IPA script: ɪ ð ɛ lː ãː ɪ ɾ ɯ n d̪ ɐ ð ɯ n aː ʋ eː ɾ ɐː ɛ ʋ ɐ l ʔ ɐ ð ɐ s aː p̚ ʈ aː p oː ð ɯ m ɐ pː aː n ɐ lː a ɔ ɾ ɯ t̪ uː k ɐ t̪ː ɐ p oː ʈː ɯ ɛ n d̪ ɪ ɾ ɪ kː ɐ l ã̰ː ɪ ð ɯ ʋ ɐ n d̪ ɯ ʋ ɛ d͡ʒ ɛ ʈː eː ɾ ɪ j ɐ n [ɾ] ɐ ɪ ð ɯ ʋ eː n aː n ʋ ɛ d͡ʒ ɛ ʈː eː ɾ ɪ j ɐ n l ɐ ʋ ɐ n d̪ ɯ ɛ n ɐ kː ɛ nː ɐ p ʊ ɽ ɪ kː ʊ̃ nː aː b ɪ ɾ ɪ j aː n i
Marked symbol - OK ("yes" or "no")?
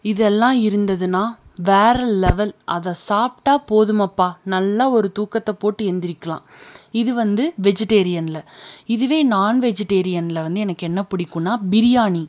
no